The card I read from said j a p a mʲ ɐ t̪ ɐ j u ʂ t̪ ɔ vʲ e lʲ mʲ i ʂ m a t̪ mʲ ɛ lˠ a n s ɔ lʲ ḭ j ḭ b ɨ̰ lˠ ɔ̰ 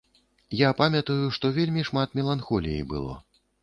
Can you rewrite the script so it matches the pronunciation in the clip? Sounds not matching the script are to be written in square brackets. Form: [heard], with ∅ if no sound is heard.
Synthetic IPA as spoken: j a p a mʲ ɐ t̪ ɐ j u ʂ t̪ ɔ vʲ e lʲ mʲ i ʂ m a t̪ mʲ ɛ lˠ a n [x] ɔ lʲ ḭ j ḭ b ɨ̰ lˠ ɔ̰